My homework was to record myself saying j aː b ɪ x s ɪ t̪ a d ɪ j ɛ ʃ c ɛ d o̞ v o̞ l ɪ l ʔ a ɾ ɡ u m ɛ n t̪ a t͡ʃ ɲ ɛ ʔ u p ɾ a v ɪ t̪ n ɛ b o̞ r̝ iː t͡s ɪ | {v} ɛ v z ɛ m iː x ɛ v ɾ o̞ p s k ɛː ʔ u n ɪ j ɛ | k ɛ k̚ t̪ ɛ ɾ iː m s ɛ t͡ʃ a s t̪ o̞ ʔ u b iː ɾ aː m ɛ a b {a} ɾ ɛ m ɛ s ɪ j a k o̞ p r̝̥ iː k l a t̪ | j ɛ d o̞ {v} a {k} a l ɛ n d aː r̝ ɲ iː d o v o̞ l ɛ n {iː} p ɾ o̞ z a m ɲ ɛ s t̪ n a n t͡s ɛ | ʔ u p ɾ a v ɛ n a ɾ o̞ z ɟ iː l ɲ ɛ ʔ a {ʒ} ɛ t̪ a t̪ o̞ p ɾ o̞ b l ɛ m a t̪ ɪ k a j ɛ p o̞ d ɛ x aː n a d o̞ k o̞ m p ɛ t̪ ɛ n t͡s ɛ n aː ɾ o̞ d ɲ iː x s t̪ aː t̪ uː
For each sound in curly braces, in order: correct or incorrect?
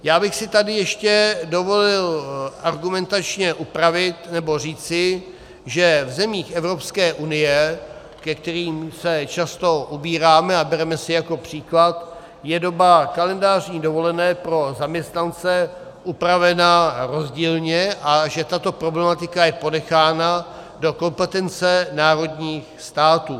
incorrect: ʒ, incorrect: ɛ, incorrect: b, correct, incorrect: ɛː, correct

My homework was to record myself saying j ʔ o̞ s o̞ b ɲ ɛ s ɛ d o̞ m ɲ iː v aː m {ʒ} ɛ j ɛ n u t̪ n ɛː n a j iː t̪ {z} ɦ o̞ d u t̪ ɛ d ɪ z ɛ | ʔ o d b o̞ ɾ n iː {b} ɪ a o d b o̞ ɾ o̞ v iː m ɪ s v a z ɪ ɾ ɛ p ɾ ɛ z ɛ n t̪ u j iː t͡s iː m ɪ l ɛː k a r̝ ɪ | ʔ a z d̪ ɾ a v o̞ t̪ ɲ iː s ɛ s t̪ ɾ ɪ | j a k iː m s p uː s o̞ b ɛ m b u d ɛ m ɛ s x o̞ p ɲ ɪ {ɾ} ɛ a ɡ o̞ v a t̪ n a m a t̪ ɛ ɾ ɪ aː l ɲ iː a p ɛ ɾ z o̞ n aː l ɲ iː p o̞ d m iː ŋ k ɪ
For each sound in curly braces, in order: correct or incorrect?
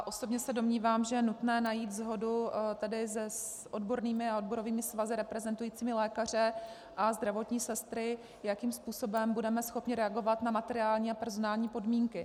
correct, correct, incorrect: m, correct

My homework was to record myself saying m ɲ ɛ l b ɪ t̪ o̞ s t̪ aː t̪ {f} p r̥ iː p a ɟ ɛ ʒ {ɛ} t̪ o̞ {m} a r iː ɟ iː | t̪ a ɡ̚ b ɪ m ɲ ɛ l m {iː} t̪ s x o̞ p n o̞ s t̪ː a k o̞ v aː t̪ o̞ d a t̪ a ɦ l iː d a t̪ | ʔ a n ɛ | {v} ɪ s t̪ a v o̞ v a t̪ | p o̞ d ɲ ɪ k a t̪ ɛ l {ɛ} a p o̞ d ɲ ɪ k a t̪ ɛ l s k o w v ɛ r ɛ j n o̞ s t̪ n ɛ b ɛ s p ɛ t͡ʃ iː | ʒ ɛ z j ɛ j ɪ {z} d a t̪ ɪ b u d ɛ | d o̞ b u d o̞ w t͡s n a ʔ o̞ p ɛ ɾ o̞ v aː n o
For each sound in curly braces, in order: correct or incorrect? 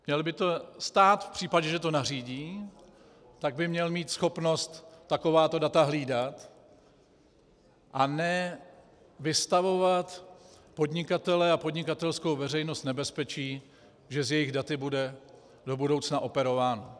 correct, correct, incorrect: n, correct, correct, correct, incorrect: ɣ

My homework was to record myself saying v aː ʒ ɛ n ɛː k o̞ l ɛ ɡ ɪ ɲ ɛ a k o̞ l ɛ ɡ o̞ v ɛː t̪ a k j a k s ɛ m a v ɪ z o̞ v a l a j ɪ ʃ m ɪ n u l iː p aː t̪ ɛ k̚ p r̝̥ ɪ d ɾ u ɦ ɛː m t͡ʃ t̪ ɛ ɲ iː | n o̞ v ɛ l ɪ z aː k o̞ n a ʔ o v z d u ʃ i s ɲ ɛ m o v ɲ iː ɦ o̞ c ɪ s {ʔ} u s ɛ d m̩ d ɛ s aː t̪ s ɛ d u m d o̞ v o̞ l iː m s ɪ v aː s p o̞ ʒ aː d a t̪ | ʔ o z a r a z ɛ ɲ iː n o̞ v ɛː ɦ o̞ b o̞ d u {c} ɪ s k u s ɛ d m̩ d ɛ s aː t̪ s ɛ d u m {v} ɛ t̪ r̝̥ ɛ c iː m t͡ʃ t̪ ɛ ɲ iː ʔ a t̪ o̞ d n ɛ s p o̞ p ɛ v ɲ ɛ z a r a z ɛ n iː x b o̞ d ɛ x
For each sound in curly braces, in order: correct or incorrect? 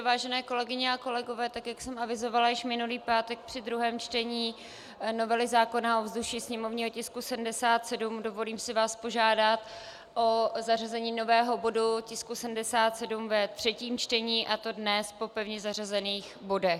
incorrect: k, correct, correct

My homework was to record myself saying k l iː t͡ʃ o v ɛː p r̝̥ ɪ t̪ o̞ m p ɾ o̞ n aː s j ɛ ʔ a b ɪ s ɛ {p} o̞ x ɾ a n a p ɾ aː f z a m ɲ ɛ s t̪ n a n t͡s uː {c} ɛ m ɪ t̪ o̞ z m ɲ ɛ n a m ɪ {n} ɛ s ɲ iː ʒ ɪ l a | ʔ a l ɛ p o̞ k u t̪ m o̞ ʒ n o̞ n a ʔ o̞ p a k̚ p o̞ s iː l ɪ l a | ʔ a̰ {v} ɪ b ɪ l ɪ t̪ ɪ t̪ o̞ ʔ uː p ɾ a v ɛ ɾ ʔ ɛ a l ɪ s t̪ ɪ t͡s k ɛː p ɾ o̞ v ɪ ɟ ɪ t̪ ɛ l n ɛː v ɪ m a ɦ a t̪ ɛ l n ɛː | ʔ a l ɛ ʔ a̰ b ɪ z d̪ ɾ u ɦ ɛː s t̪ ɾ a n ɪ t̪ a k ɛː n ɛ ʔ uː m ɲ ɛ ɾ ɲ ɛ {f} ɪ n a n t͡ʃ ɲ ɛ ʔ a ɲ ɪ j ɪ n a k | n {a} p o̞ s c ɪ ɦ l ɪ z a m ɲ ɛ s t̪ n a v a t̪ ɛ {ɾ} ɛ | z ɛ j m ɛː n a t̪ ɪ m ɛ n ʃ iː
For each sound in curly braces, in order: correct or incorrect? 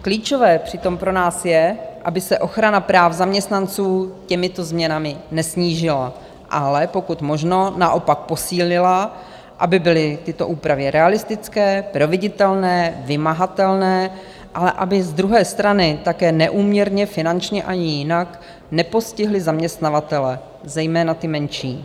incorrect: ʔ, correct, correct, incorrect: b, correct, incorrect: ɛ, incorrect: l

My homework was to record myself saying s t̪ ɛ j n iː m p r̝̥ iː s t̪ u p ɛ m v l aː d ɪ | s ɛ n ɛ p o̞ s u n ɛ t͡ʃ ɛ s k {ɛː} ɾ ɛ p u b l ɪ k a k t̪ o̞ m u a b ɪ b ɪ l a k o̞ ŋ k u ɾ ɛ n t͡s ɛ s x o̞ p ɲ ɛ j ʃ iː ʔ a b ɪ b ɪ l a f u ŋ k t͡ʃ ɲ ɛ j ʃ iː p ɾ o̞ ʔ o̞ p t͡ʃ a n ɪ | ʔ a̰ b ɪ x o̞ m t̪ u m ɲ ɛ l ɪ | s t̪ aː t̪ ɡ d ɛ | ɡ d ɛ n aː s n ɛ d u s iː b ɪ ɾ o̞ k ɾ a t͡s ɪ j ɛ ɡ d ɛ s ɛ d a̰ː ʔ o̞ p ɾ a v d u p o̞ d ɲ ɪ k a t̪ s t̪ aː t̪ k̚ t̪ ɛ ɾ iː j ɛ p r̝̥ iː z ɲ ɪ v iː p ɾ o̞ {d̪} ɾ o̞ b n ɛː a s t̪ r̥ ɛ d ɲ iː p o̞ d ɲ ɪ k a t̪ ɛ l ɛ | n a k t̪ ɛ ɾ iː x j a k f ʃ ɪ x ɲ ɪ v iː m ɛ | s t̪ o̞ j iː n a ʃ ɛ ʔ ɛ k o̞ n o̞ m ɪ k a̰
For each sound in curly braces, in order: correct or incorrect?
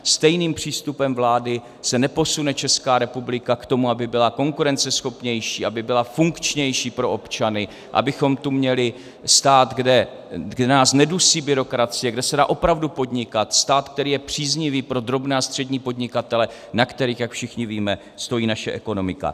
incorrect: aː, correct

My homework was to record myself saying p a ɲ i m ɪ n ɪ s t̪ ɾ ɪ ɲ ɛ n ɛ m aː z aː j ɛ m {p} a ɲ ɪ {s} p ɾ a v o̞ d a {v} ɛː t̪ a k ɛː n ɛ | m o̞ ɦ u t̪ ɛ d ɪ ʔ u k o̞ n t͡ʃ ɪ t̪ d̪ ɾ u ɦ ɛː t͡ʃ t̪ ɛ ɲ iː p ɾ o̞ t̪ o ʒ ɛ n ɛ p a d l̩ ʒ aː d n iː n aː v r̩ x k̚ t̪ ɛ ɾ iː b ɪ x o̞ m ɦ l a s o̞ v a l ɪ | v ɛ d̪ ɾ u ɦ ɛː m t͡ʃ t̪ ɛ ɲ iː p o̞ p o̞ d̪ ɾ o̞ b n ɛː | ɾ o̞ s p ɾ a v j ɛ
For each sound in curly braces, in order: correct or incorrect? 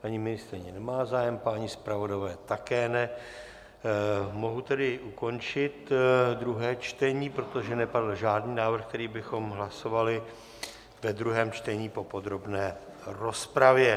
correct, correct, correct

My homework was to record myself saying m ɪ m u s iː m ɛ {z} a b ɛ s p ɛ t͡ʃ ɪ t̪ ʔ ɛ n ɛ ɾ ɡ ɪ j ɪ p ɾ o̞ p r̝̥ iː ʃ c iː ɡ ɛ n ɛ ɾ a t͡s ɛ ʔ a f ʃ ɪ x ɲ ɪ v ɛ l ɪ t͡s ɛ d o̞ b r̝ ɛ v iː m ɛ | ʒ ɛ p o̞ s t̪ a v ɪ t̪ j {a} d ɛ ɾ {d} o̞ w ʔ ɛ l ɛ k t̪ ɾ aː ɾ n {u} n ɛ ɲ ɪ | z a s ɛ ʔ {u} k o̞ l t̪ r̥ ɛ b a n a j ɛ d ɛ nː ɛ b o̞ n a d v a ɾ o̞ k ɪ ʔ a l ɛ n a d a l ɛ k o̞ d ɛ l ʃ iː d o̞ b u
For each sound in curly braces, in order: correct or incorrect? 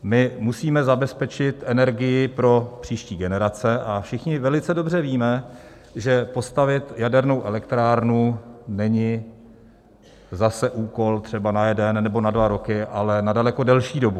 correct, correct, incorrect: n, correct, incorrect: uː

